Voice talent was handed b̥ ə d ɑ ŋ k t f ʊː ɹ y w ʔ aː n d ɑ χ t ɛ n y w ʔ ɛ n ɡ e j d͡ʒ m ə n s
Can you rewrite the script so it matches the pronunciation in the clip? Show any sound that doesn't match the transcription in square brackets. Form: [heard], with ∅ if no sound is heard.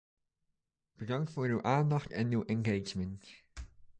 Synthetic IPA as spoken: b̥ ə d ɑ ŋ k t f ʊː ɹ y w ʔ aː n d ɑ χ t ɛ n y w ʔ ɛ n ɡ e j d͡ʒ m ə n [t]